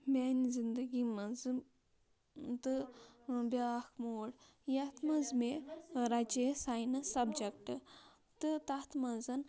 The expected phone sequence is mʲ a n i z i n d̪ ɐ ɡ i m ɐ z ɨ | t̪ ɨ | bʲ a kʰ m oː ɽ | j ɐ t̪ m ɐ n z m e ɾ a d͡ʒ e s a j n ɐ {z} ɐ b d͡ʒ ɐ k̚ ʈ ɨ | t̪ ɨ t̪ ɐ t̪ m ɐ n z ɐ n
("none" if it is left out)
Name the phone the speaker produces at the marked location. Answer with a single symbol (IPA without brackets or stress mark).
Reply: s